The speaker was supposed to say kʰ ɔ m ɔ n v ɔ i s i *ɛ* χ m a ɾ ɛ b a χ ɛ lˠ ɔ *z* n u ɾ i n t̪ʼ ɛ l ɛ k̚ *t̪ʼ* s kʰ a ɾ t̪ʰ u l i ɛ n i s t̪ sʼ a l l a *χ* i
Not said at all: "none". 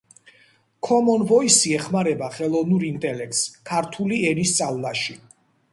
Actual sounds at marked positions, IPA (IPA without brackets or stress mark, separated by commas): ɛ, v, t̪, ʃ